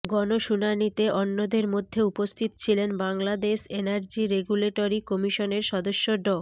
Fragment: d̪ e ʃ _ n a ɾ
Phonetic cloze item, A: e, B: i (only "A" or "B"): A